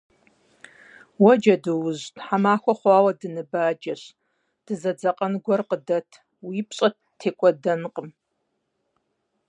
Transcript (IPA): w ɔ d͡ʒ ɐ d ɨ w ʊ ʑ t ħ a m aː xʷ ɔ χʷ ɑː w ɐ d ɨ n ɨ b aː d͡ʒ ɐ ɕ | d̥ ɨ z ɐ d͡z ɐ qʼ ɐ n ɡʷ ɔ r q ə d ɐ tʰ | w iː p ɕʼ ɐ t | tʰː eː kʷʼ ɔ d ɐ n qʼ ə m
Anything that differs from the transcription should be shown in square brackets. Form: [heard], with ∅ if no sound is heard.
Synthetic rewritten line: w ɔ d͡ʒ ɐ d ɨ w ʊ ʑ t ħ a m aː xʷ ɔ χʷ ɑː w ɐ d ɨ n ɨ b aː d͡ʒ ɐ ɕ | d̥ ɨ z ɐ d͡z ɐ qʼ ɐ n ɡʷ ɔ r q ə d ɐ tʰ | w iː p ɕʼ ɐ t | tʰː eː kʷʼ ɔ d ɐ n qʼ ə m

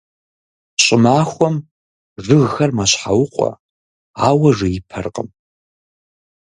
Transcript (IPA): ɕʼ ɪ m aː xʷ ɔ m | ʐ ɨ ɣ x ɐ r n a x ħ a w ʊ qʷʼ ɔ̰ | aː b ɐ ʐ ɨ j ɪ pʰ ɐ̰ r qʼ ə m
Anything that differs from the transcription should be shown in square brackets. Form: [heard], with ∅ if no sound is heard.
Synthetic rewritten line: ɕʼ ɪ m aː xʷ ɔ m | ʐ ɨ ɣ x ɐ r [m] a [ɕ] ħ a w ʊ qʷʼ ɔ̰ | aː [w] ɐ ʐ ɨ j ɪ pʰ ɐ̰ r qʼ ə m

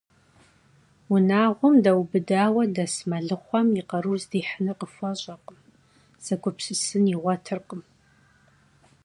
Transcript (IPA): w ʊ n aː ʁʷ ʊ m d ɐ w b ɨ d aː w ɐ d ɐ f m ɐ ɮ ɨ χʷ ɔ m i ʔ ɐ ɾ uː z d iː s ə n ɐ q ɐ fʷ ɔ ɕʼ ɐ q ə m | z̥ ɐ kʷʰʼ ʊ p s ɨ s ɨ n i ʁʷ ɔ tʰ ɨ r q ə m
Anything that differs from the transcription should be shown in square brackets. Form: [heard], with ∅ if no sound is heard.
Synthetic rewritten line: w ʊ n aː ʁʷ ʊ m d ɐ w b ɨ d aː w ɐ d ɐ [s] m ɐ ɮ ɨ χʷ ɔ m i [q] ɐ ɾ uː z d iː [ħ] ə n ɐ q [ə] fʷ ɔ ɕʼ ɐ q ə m | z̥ ɐ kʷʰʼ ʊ p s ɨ s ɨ n i ʁʷ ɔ tʰ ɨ r q ə m

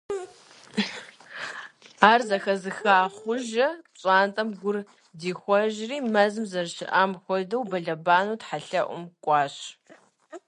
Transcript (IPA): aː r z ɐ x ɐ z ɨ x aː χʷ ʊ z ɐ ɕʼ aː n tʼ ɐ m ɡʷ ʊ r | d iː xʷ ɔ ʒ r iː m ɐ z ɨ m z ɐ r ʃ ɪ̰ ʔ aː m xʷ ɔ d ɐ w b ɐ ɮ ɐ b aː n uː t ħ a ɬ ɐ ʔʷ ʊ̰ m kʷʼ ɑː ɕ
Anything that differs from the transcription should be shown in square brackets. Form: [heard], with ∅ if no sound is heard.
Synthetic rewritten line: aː r z ɐ x ɐ z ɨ x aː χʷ ʊ [ʒ] ɐ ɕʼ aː n tʼ ɐ m ɡʷ ʊ r | d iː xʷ ɔ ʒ r iː m ɐ z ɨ m z ɐ r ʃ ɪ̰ ʔ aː m xʷ ɔ d ɐ w b ɐ ɮ ɐ b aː n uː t ħ a ɬ ɐ ʔʷ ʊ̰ m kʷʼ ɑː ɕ

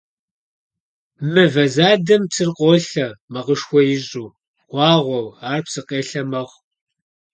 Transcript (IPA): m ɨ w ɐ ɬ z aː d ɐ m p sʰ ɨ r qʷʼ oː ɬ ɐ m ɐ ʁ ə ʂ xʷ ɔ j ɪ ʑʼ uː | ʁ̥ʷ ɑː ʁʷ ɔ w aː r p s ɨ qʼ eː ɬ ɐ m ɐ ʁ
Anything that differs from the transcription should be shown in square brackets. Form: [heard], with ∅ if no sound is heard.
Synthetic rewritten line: m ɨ [v] ɐ [∅] z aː d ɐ m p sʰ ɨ r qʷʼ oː ɬ ɐ m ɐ ʁ ə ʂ xʷ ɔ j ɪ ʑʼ uː | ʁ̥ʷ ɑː ʁʷ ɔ w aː r p s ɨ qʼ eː ɬ ɐ m ɐ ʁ

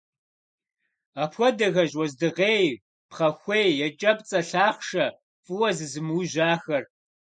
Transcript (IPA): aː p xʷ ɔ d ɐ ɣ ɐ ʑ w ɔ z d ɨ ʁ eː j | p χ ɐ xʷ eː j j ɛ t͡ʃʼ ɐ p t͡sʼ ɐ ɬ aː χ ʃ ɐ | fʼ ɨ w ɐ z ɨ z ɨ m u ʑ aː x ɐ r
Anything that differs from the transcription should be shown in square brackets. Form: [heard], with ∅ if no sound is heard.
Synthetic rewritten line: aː p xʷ ɔ d ɐ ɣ ɐ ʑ w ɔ z d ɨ ʁ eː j | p χ ɐ xʷ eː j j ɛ t͡ʃʼ ɐ p t͡sʼ ɐ ɬ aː χ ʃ ɐ | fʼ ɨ w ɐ z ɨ z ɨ m u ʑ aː x ɐ r

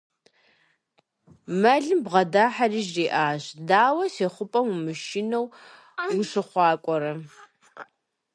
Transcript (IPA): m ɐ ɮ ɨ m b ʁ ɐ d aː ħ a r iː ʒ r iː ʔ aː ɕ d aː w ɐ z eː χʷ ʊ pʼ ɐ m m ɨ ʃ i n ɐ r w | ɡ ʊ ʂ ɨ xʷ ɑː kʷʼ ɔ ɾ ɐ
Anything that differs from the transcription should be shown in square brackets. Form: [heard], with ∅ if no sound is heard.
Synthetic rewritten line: m ɐ ɮ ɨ m b ʁ ɐ d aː ħ a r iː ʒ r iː ʔ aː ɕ d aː w ɐ [s] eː χʷ ʊ pʼ ɐ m m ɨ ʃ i n ɐ [∅] w | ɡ ʊ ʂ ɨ [χʷ] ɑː kʷʼ ɔ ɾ ɐ

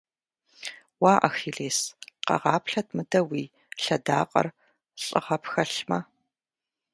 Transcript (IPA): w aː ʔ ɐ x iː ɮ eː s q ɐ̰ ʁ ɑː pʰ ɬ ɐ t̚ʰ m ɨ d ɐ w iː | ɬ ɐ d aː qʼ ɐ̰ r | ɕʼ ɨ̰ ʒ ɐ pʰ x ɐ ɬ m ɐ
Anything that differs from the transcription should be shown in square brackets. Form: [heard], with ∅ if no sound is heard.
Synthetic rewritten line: w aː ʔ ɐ x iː ɮ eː s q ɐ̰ ʁ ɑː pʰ ɬ ɐ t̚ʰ m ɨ d ɐ w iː | ɬ ɐ d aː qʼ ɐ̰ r | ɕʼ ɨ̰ [ʁ] ɐ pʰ x ɐ ɬ m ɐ

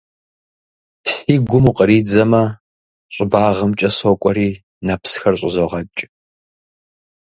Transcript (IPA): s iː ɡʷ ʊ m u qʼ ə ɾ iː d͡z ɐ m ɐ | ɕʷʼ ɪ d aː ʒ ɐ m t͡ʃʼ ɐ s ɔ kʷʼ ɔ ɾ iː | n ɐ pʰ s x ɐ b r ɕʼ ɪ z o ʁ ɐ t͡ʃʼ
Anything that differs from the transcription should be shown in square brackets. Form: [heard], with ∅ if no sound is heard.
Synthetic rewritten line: s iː ɡʷ ʊ m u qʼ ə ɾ iː d͡z ɐ m ɐ | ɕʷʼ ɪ [b] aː [ʁ] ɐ m t͡ʃʼ ɐ s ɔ kʷʼ ɔ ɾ iː | n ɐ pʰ s x ɐ [∅] r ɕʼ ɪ z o ʁ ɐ t͡ʃʼ

